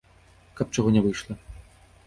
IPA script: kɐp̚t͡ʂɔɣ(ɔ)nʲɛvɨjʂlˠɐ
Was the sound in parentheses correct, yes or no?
yes